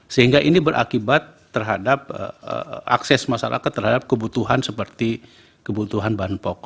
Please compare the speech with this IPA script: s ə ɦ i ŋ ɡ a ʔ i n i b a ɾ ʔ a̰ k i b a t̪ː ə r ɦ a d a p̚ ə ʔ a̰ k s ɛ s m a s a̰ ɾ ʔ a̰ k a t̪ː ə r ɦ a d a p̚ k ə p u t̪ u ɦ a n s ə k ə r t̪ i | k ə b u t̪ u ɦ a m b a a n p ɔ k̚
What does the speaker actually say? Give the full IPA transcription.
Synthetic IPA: s ə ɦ i ŋ ɡ a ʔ i n i b ə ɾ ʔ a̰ k i b a t̪ː ə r ɦ a d a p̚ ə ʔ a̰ k s ɛ s m a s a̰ ɾ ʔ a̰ k a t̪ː ə r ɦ a d a p̚ k ə b u t̪ u ɦ a n s ə p ə r t̪ i | k ə b u t̪ u ɦ a n b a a n p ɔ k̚